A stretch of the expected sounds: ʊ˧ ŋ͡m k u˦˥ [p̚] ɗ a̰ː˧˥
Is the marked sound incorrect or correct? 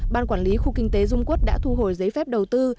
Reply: incorrect